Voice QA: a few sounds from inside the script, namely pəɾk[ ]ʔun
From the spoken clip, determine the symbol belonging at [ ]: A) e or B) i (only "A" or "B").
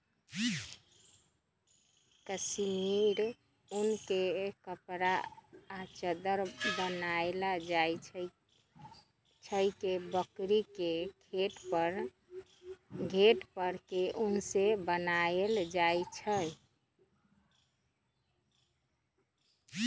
A